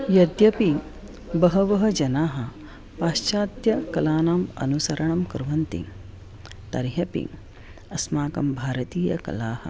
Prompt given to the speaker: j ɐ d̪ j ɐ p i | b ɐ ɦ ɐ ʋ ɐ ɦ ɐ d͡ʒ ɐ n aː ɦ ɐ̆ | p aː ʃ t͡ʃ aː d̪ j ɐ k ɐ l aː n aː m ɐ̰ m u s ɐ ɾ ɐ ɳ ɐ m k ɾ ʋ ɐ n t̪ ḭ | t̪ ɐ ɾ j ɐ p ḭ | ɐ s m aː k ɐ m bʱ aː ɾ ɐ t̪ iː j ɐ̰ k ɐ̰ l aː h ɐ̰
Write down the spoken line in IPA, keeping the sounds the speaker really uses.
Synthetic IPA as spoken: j ɐ d̪ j ɐ p i | b ɐ ɦ ɐ ʋ ɐ ɦ ɐ d͡ʒ ɐ n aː ɦ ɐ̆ | p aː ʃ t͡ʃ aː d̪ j ɐ k ɐ l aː n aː m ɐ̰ n u s ɐ ɾ ɐ ɳ ɐ m k ɾ ʋ ɐ n t̪ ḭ | t̪ ɐ ɾ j ɐ p ḭ | ɐ s m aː k ɐ m bʱ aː ɾ ɐ t̪ iː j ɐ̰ k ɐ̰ l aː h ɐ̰